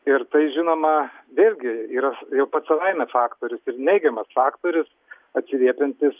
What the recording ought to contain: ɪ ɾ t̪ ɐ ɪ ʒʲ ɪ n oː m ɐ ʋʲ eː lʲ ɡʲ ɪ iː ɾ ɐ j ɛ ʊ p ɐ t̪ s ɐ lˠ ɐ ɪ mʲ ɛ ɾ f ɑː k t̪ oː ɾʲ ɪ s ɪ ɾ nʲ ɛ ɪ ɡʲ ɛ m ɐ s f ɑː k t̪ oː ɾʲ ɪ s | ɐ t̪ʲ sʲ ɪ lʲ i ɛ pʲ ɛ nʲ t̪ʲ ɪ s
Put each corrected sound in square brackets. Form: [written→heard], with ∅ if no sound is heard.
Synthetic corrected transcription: ɪ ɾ t̪ ɐ ɪ ʒʲ ɪ n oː m ɐ ʋʲ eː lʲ ɡʲ ɪ iː ɾ ɐ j ɛ ʊ p ɐ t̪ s ɐ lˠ ɐ ɪ mʲ ɛ [ɾ→∅] f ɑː k t̪ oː ɾʲ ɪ s ɪ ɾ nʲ ɛ ɪ ɡʲ ɛ m ɐ s f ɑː k t̪ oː ɾʲ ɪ s | ɐ t̪ʲ sʲ ɪ lʲ i ɛ pʲ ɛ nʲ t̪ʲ ɪ s